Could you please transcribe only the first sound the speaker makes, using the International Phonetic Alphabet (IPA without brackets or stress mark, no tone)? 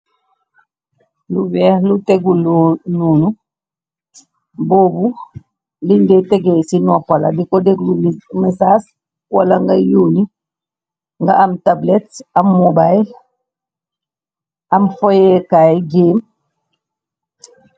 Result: l